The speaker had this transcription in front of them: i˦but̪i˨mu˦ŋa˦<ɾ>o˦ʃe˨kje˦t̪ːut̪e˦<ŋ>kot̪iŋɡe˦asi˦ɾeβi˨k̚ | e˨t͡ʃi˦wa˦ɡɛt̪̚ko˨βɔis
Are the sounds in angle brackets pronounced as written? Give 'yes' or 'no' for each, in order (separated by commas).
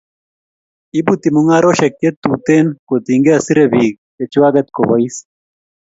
yes, no